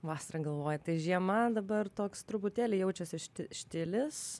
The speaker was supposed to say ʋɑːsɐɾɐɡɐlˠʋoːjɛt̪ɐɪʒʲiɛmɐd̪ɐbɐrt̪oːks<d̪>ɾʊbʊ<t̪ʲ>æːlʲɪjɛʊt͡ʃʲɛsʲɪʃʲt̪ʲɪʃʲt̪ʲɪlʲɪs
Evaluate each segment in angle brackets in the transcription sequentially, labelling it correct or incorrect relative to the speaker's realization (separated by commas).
incorrect, correct